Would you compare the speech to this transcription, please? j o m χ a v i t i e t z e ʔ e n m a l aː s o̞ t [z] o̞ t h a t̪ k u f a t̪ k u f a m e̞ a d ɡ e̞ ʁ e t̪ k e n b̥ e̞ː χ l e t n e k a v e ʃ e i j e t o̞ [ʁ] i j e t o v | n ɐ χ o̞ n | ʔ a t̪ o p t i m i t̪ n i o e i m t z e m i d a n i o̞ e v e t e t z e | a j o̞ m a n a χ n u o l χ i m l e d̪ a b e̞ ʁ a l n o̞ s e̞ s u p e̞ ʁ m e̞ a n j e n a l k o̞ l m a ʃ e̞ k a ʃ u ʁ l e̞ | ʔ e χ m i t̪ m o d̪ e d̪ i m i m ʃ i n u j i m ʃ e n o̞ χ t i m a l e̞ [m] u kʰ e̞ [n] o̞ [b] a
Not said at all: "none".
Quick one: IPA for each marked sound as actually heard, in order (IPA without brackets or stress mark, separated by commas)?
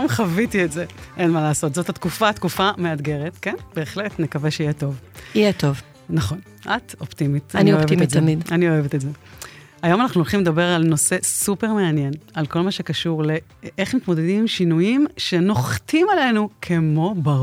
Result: z, v, n, m, b